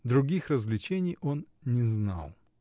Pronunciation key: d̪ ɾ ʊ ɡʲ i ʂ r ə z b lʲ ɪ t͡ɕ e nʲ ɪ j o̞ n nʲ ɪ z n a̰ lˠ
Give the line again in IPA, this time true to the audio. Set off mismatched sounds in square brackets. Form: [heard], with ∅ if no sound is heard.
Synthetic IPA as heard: d̪ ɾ ʊ ɡʲ i [x] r ə z [v] lʲ ɪ t͡ɕ e nʲ ɪ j o̞ n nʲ ɪ z n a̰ lˠ